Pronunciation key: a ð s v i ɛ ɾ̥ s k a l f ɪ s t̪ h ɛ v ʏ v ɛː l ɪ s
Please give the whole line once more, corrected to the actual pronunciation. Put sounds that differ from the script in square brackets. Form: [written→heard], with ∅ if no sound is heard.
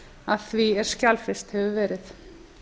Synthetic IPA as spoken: a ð [s→θ] v i ɛ ɾ̥ s [k→c] a l f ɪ s t̪ h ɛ v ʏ v ɛː [l→ɾ] ɪ [s→θ]